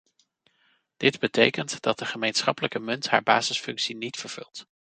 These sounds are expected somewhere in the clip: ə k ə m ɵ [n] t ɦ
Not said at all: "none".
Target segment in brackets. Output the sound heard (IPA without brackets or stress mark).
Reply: n